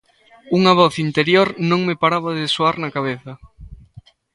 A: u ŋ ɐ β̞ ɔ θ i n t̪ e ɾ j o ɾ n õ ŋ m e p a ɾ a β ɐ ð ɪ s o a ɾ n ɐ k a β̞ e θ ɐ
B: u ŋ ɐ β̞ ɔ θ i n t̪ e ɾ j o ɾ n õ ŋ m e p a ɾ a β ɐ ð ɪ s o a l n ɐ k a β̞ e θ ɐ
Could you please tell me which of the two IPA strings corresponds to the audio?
A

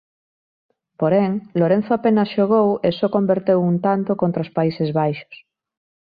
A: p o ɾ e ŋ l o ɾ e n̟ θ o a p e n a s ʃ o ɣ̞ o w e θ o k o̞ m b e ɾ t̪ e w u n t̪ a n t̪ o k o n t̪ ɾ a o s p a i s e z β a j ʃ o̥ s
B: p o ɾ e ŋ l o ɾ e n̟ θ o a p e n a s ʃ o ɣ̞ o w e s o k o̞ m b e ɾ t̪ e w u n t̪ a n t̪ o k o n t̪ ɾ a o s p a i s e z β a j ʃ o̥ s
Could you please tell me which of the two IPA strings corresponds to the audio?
B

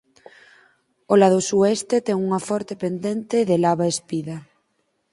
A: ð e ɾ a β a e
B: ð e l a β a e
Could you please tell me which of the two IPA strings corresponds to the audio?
B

